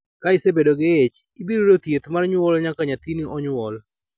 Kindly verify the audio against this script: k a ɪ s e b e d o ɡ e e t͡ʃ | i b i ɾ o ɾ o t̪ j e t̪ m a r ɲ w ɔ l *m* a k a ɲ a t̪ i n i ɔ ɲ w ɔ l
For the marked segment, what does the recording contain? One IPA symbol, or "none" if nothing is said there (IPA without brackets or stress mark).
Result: ɲ